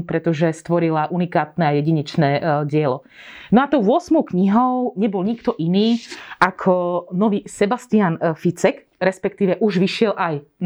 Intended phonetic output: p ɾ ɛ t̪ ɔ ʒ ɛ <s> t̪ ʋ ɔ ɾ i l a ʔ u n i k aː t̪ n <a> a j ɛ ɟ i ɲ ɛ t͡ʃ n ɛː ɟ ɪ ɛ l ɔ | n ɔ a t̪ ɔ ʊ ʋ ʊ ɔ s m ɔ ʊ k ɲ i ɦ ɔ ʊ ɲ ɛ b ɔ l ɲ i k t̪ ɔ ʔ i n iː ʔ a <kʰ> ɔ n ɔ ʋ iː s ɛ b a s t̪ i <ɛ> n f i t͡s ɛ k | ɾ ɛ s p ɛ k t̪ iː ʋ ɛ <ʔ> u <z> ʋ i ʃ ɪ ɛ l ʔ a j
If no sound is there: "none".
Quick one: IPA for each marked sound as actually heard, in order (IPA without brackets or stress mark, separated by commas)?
s, ɛ, kʰ, a, ʔ, ʒ